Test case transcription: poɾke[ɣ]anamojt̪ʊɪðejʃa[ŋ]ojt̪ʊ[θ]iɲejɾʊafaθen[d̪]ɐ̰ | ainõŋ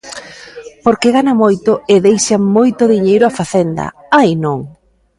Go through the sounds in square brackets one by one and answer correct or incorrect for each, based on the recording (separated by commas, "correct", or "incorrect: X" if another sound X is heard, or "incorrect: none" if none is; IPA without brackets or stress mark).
correct, incorrect: m, incorrect: ð, correct